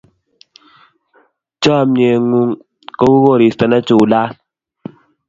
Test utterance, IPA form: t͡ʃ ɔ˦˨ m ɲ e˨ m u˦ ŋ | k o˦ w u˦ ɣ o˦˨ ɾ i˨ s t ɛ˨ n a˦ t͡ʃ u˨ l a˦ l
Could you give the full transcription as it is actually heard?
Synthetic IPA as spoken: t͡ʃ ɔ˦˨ m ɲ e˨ ŋ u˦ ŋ | k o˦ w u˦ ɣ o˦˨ ɾ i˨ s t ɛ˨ n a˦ t͡ʃ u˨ l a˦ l